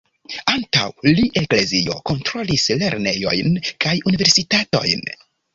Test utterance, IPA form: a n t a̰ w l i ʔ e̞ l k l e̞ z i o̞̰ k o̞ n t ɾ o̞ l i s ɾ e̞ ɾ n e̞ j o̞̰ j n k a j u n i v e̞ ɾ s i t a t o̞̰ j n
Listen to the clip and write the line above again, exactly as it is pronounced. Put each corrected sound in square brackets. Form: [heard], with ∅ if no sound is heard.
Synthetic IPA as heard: a n t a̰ w l i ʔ e̞ [∅] k l e̞ z i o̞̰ k o̞ n t ɾ o̞ l i s [l] e̞ ɾ n e̞ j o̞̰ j n k a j u n i v e̞ ɾ s i t a t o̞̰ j n